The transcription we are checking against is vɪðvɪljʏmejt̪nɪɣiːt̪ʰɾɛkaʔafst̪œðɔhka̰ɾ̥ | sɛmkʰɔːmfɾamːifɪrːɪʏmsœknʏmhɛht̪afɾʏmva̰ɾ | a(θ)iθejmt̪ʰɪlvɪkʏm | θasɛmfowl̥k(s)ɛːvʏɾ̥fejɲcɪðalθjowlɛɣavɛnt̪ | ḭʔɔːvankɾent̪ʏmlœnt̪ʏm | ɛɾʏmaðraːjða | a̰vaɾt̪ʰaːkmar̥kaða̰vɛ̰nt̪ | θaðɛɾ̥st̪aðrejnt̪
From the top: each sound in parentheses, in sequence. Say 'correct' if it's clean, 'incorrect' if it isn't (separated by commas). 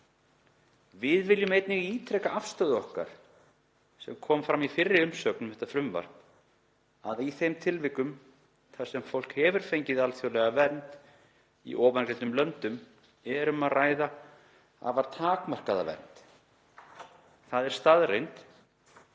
incorrect, incorrect